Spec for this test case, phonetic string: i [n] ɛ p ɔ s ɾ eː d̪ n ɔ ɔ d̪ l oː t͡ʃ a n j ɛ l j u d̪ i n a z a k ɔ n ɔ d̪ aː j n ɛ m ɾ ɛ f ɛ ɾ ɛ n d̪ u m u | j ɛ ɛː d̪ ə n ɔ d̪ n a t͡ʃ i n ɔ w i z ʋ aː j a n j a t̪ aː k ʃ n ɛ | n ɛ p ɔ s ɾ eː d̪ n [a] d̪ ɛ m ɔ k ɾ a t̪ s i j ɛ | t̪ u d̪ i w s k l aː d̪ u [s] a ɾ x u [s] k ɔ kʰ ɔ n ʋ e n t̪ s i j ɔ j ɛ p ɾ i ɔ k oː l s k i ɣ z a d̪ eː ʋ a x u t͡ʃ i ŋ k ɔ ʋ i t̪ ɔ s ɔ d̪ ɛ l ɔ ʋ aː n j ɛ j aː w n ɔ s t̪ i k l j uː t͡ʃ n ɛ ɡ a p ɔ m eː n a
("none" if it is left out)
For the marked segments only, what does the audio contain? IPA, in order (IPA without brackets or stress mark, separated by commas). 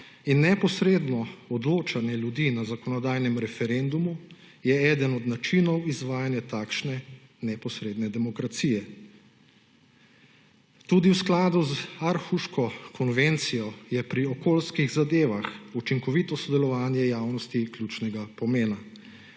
nː, ɛ, z, ʃ